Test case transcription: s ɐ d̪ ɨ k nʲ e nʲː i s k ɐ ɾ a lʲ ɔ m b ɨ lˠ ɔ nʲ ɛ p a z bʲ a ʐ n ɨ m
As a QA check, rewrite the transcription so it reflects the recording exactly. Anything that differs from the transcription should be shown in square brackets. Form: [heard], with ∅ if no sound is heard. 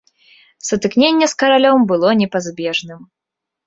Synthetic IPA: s ɐ [t̪] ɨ k nʲ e nʲː [ɛ] s k ɐ ɾ a lʲ ɔ m b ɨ lˠ ɔ nʲ ɛ p a z bʲ [ɛ] ʐ n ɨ m